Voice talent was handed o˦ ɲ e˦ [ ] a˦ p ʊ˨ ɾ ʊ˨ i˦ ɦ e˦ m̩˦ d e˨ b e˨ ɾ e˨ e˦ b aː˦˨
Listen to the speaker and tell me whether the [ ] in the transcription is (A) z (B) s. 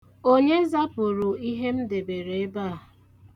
A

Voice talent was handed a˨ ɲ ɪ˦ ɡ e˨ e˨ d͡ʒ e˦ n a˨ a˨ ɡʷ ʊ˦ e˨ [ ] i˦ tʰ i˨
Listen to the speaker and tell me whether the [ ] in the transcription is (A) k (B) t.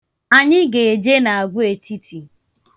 B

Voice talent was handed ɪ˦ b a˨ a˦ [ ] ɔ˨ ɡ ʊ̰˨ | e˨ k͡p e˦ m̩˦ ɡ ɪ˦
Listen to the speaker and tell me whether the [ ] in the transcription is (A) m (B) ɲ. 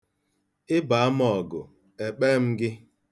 A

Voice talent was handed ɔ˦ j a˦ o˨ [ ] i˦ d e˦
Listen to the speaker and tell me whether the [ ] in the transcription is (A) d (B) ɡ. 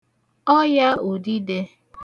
A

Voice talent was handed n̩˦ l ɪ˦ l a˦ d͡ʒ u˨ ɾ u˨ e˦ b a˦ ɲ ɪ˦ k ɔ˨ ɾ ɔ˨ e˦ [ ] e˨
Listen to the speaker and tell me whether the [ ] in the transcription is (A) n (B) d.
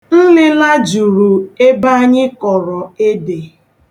B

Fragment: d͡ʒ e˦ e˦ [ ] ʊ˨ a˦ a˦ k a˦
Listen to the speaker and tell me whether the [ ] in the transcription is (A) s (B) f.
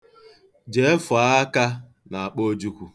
B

